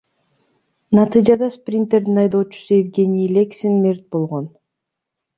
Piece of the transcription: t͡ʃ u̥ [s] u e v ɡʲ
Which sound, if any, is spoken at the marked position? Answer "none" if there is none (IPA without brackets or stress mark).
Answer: s